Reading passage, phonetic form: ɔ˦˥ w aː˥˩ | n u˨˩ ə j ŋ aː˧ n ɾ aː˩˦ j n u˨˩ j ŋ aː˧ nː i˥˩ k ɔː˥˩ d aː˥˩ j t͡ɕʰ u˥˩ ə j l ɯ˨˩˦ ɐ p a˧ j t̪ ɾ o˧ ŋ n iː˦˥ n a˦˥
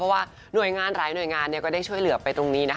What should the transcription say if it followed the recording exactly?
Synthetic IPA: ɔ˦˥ w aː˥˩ | n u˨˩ ə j ŋ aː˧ n ɾ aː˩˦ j n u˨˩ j ŋ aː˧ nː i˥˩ k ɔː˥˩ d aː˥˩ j t͡ɕʰ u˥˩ ə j l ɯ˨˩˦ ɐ p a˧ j t̪ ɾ o˧ ŋ n iː˦˥ n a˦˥